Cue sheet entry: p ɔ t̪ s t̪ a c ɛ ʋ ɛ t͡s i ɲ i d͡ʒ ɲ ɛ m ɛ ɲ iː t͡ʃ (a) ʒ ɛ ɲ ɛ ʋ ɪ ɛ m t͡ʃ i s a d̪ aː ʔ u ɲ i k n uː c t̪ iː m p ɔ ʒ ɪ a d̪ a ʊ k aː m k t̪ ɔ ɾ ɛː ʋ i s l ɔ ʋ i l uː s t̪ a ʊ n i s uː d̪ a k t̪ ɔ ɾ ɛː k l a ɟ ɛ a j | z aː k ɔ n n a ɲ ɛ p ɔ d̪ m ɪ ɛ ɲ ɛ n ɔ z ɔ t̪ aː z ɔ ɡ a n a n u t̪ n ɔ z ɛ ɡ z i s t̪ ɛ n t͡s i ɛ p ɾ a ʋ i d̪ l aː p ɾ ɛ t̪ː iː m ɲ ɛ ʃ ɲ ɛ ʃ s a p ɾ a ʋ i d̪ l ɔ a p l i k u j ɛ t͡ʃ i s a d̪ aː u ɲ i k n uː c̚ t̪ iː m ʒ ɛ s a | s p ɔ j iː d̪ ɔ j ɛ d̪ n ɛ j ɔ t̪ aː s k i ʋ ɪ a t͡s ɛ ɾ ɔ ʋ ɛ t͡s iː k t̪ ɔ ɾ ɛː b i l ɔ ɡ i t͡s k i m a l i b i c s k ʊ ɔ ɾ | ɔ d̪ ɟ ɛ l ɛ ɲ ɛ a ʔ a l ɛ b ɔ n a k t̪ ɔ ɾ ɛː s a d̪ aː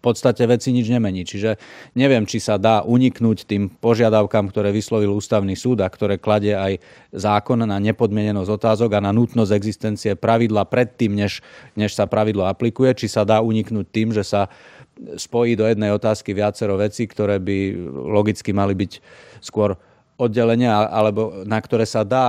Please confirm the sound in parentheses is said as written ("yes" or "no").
no